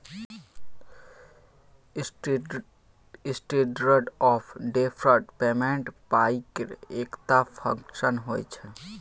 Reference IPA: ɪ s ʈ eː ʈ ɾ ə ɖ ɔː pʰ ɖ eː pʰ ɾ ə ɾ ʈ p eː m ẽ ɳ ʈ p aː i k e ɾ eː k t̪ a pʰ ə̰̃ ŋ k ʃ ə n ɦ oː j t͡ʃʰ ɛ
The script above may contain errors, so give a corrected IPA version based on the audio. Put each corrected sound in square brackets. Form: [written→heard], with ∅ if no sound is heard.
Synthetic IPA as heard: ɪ s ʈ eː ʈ ɾ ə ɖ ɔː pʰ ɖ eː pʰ ɾ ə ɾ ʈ p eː m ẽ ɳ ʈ p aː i k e ɾ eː k t̪ a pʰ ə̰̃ ŋ k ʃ ə n ɦ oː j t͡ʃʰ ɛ